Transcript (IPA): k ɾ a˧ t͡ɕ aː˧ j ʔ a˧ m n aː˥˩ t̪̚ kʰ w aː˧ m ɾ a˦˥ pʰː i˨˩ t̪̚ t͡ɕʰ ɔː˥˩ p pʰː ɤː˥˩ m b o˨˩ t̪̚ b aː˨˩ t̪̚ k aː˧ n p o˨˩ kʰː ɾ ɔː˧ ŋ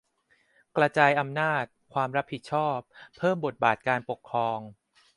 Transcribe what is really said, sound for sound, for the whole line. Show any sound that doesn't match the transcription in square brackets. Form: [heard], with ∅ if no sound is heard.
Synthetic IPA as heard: k ɾ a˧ t͡ɕ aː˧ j ʔ a˧ m n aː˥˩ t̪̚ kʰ w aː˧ m ɾ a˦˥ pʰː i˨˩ t̪̚ t͡ɕʰ ɔː˥˩ p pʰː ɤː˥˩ m b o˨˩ t̪̚ b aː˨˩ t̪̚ k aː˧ n p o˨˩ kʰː ɾ ɔː˧ ŋ